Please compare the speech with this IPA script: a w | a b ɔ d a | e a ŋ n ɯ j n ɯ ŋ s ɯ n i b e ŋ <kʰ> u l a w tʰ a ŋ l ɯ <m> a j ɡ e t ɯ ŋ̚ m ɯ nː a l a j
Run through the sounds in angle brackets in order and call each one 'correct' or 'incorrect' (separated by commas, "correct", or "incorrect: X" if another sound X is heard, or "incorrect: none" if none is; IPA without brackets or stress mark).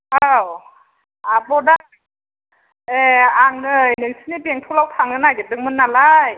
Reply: incorrect: tʰ, incorrect: n